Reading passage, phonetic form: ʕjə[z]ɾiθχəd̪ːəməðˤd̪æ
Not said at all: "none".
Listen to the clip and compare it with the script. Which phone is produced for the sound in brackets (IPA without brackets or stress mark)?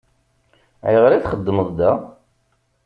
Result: ʁ